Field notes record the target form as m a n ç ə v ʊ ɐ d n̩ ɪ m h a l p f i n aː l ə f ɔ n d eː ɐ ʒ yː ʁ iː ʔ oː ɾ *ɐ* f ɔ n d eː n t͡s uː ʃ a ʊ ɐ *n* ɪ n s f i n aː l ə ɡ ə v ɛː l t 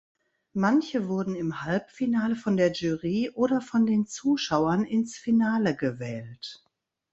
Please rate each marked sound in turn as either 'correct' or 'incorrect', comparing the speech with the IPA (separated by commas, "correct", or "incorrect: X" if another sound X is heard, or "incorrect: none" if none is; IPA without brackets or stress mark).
correct, correct